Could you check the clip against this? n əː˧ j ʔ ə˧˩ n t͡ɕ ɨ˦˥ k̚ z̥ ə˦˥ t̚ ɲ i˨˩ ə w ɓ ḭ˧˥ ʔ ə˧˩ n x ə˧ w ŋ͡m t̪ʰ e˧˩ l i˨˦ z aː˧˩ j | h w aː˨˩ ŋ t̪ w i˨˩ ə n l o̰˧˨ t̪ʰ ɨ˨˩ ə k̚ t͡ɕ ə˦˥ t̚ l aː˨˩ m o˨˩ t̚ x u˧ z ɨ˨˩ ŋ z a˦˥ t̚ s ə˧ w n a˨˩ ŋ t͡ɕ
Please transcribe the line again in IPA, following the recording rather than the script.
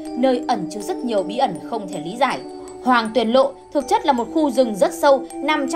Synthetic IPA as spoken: n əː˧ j ʔ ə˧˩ n t͡ɕ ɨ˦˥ k̚ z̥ ə˦˥ t̚ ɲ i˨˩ ə w ɓ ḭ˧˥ ʔ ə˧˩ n x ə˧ w ŋ͡m t̪ʰ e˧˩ l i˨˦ z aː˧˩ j | h w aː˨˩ ŋ t̪ w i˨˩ ə n l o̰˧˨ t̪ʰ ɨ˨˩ ə k̚ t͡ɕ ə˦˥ t̚ l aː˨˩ m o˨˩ t̚ x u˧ z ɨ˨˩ ŋ z ə˦˥ t̚ s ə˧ w n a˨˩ m t͡ɕ

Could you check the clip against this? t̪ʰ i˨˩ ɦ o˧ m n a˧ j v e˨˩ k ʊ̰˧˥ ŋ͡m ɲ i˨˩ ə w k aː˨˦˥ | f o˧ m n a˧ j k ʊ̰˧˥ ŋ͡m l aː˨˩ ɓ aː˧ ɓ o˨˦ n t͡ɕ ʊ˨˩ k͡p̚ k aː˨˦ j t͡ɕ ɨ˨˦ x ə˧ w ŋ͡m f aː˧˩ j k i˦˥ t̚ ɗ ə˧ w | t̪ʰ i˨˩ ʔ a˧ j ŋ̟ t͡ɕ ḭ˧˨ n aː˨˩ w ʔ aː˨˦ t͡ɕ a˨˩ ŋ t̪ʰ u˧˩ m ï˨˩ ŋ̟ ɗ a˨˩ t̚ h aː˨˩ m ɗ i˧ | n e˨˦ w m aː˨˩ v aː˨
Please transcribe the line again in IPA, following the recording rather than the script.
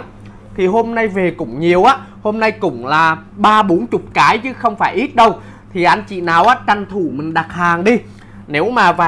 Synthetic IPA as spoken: t̪ʰ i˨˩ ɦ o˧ m n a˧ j v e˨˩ k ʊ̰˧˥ ŋ͡m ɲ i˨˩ ə w ʔ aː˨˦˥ | h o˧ m n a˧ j k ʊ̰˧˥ ŋ͡m l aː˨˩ ɓ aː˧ ɓ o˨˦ n t͡ɕ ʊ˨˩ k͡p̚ k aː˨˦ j t͡ɕ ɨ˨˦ x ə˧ w ŋ͡m f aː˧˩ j ʔ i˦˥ t̚ ɗ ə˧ w | t̪ʰ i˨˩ ʔ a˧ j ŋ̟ t͡ɕ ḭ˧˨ n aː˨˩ w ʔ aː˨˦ t͡ɕ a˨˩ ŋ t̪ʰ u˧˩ m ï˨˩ ŋ̟ ɗ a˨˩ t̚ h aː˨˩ ŋ ɗ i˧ | n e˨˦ w m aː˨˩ v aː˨

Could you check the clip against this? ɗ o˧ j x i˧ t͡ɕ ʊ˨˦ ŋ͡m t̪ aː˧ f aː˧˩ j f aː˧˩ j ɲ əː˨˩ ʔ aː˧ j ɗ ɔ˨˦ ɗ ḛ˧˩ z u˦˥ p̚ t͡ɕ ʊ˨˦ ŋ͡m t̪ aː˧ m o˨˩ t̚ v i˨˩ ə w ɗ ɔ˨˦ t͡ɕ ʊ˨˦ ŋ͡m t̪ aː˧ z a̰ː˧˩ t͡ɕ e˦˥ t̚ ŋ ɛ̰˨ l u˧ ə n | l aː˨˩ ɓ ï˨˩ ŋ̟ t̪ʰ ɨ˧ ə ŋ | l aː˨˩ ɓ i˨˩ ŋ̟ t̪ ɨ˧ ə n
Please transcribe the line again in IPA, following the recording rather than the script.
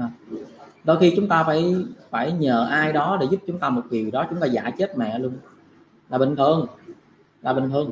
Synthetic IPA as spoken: ɗ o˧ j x i˧ t͡ɕ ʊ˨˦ ŋ͡m t̪ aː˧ f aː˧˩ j f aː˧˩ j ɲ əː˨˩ ʔ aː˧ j ɗ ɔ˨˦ ɗ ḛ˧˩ z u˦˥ p̚ t͡ɕ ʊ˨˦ ŋ͡m t̪ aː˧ m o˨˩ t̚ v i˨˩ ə w ɗ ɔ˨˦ t͡ɕ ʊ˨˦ ŋ͡m t̪ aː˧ z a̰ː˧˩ t͡ɕ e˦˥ t̚ m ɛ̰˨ l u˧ ə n | l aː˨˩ ɓ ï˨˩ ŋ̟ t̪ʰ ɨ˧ ə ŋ | l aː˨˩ ɓ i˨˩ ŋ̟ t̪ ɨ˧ ə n

